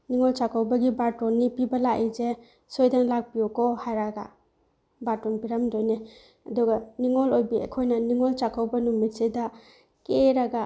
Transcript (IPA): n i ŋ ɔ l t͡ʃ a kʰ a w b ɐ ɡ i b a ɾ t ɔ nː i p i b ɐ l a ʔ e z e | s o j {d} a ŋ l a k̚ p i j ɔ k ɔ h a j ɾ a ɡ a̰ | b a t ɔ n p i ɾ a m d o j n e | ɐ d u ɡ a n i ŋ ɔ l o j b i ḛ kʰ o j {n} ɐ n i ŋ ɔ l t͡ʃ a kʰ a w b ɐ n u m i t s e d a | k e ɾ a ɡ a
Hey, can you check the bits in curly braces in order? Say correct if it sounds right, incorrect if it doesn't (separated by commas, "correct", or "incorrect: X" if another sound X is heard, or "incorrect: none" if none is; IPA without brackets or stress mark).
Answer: correct, correct